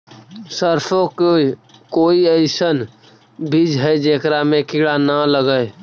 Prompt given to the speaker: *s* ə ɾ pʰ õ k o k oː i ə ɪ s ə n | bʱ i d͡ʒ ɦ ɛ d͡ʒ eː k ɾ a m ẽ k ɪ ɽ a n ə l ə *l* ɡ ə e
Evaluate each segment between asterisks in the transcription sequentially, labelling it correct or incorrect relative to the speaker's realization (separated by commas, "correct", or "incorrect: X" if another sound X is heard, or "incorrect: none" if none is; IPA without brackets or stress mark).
correct, incorrect: none